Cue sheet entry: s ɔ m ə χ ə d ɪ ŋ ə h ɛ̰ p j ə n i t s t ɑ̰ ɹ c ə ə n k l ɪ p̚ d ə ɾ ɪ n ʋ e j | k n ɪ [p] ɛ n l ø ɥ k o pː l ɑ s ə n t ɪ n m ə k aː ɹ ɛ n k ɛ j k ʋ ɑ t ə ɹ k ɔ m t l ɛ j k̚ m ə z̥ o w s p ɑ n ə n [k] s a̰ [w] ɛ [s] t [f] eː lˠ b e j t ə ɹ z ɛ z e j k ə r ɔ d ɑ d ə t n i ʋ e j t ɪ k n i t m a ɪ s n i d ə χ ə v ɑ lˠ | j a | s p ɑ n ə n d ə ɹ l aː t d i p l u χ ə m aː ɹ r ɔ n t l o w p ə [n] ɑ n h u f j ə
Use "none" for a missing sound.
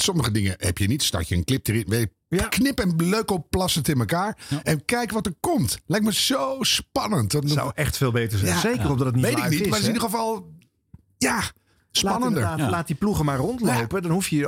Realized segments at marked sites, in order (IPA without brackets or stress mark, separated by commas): p, t, w, χ, f, d